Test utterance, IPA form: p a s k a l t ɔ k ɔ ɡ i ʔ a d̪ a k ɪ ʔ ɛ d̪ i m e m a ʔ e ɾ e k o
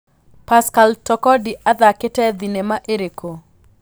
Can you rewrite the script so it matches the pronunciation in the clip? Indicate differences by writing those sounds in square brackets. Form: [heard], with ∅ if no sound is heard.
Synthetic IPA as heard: p a s k a l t ɔ k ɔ [d] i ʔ a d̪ a k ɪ [t] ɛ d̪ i [n] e m a ʔ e ɾ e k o